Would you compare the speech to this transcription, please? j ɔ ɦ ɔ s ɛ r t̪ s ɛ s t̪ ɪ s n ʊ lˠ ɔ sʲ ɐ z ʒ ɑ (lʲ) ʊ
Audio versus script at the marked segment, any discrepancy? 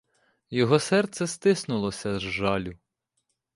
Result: no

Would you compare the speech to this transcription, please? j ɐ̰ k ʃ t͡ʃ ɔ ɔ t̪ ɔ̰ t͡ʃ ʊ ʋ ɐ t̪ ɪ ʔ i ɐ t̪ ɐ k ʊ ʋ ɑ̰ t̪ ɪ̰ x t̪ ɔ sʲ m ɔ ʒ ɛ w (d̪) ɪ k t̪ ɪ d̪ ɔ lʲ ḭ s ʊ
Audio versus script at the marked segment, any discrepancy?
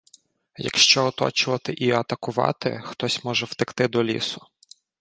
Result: yes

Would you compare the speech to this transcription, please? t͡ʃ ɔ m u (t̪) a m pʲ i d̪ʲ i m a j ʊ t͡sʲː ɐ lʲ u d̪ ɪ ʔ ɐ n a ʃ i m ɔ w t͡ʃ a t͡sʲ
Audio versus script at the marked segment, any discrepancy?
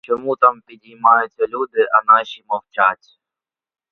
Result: no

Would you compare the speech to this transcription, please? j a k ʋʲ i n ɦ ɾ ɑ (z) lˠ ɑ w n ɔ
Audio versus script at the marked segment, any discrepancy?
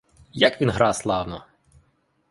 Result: yes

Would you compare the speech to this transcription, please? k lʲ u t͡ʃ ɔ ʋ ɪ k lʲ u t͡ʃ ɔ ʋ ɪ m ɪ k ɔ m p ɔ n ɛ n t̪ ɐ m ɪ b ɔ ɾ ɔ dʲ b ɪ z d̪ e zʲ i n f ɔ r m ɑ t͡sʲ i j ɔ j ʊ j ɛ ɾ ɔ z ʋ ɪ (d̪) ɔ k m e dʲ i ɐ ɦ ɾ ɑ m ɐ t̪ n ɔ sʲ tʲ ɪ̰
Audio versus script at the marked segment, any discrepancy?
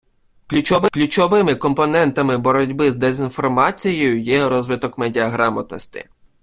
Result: yes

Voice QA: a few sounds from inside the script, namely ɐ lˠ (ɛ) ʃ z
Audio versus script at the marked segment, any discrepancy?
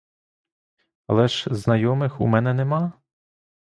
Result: no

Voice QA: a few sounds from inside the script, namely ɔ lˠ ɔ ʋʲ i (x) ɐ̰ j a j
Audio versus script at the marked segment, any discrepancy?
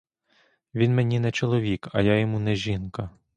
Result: yes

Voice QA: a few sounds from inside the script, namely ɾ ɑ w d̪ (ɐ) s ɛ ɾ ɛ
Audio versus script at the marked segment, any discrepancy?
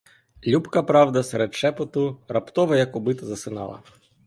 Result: no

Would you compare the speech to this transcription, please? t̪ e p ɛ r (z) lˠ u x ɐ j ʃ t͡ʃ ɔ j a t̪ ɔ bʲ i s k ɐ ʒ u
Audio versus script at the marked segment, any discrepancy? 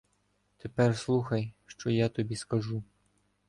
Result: yes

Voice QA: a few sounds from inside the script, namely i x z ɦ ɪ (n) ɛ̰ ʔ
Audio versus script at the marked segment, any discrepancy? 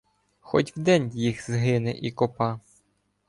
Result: no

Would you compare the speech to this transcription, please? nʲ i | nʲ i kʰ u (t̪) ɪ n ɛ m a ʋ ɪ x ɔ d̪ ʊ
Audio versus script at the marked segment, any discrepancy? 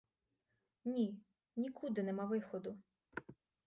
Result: yes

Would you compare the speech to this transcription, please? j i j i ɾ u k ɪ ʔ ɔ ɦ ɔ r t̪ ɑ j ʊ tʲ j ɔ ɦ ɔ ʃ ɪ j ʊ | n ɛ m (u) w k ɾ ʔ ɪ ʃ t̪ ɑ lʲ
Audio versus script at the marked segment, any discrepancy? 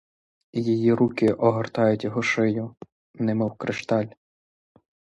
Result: yes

